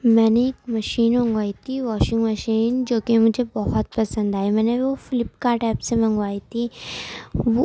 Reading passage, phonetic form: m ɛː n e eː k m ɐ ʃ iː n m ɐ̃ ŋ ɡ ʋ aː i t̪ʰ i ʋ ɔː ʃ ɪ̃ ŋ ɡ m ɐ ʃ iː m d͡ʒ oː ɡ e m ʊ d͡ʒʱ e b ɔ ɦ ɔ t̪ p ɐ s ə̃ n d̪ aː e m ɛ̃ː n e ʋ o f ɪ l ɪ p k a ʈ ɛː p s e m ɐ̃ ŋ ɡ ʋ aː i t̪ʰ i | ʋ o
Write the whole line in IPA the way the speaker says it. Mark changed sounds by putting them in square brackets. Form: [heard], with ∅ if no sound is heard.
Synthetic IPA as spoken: m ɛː n e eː k m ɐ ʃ iː n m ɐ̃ ŋ ɡ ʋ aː i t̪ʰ i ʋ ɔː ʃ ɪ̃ ŋ ɡ m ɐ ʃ iː [n] d͡ʒ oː [k] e m ʊ d͡ʒʱ e b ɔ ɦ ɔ t̪ p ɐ s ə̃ n d̪ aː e m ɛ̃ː n e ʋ o f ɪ l ɪ p k a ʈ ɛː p s e m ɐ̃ ŋ ɡ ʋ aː i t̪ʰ i | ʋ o

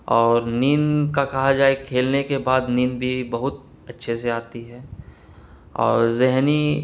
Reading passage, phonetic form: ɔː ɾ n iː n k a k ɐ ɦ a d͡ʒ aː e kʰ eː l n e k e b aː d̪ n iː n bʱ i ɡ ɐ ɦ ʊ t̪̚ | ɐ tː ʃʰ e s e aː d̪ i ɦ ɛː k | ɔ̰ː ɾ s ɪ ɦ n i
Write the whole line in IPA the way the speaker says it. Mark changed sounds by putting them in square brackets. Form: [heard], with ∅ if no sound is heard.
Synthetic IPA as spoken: ɔː ɾ n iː n k a k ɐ ɦ a d͡ʒ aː e kʰ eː l n e k e b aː d̪ n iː n bʱ i [b] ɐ ɦ ʊ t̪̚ | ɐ tː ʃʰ e s e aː [t̪] i ɦ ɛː [∅] | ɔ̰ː ɾ [z] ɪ ɦ n i

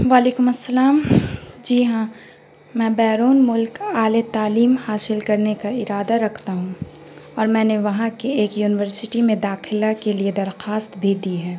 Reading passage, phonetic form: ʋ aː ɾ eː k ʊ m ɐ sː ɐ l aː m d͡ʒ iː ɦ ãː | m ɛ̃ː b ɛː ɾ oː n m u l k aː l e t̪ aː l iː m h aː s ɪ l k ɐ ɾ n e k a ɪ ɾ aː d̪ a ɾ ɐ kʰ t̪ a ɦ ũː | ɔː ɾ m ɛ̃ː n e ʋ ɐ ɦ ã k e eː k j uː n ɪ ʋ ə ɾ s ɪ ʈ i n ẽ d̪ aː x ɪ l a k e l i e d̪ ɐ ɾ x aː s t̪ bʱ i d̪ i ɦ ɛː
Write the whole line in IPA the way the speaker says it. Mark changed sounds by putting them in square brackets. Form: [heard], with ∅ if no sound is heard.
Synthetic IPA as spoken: ʋ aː [l] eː k ʊ m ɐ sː ɐ l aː m d͡ʒ iː ɦ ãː | m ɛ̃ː b ɛː ɾ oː n m [ʊ] l k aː l e t̪ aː l iː m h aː s ɪ l k ɐ ɾ n e k a ɪ ɾ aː d̪ a ɾ ɐ kʰ t̪ a ɦ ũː | ɔː ɾ m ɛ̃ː n e ʋ ɐ ɦ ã k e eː k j uː n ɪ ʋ ə ɾ s ɪ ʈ i [m] ẽ d̪ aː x ɪ l a k e l i e d̪ ɐ ɾ x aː s t̪ bʱ i d̪ i ɦ ɛː

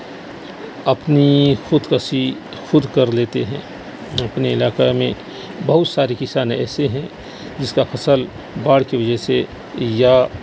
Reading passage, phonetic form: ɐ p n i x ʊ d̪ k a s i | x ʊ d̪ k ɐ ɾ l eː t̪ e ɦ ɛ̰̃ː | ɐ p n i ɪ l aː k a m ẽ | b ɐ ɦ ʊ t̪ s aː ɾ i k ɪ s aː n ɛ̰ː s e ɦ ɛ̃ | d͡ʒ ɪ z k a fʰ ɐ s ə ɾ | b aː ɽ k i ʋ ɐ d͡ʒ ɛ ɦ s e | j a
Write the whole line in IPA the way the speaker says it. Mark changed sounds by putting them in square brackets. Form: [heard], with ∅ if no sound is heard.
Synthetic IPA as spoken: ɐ p n i x ʊ d̪ k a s i | x ʊ d̪ k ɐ ɾ l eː t̪ e ɦ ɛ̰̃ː | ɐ p n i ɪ l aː k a m ẽ | b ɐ ɦ ʊ t̪ s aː ɾ i k ɪ s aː n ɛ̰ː s e ɦ ɛ̃ | d͡ʒ ɪ [s] k a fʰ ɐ s ə [l] | b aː ɽ k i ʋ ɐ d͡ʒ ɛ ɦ s e | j a

